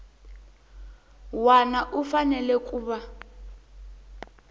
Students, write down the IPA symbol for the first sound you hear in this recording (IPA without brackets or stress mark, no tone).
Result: w